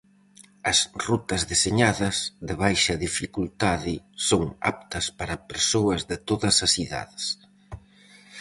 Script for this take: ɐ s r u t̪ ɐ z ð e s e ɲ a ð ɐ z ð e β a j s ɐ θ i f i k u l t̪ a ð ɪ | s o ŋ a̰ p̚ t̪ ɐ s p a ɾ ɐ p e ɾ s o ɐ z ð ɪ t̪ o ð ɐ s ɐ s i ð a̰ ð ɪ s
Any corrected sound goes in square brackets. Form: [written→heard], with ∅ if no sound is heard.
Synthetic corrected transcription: ɐ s r u t̪ ɐ z ð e s e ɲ a ð ɐ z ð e β a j [s→ʃ] ɐ [θ→ð] i f i k u l t̪ a ð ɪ | s o ŋ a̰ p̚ t̪ ɐ s p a ɾ ɐ p e ɾ s o ɐ z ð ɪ t̪ o ð ɐ s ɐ s i ð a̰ ð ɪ s